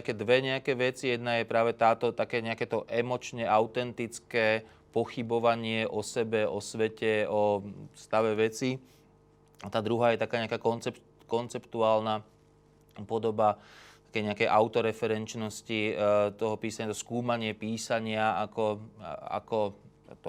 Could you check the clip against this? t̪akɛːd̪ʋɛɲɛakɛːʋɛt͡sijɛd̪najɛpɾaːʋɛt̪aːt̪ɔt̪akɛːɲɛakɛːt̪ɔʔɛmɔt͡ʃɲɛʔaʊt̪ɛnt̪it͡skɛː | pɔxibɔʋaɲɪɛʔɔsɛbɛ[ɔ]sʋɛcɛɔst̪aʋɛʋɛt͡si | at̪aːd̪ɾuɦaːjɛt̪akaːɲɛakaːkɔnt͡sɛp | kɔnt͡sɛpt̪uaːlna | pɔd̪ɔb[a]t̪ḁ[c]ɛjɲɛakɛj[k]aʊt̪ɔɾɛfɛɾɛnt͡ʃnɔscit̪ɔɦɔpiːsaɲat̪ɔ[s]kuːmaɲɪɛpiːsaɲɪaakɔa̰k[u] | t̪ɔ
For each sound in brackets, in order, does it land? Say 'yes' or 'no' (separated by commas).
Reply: yes, yes, no, no, yes, no